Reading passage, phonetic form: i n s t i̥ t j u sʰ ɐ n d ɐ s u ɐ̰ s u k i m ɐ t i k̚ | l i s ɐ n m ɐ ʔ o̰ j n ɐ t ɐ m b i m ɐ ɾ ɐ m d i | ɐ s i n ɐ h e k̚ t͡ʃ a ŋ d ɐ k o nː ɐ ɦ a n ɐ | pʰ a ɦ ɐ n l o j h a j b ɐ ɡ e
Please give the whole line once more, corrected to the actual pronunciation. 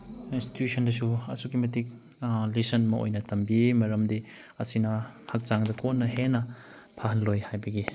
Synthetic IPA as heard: i n s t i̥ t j u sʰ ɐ n d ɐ s u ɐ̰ s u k i m ɐ t i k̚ | l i s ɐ n m ɐ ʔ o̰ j n ɐ t ɐ m b i m ɐ ɾ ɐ m d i | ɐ s i n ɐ h a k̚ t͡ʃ a ŋ d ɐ k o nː ɐ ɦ e n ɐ | pʰ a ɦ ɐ n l o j h a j b ɐ ɡ i